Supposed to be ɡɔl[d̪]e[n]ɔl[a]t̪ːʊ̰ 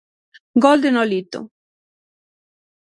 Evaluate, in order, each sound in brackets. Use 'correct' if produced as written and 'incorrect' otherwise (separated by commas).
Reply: correct, correct, incorrect